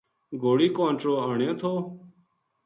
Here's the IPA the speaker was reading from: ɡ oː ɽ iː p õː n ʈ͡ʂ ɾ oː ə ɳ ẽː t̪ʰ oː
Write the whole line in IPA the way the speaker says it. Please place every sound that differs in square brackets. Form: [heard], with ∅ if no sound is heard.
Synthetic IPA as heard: ɡ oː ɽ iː [k] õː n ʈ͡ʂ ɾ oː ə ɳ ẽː t̪ʰ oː